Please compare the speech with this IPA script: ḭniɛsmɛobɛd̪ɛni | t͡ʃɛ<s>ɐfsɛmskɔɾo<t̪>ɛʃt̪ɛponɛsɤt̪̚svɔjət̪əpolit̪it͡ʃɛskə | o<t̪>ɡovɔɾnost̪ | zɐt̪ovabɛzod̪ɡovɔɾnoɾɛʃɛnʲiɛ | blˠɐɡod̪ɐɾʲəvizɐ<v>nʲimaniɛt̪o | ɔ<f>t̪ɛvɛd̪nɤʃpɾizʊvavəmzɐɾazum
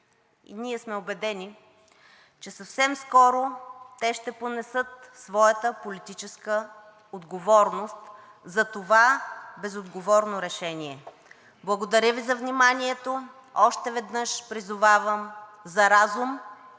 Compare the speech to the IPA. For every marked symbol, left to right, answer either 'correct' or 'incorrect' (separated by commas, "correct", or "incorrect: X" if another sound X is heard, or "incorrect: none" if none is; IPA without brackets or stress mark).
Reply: correct, correct, incorrect: d̪, correct, incorrect: ʃ